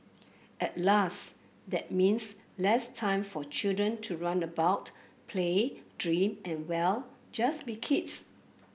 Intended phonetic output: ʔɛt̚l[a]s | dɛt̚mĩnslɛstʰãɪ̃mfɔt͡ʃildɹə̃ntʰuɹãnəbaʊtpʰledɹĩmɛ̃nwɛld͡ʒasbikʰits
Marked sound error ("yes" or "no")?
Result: no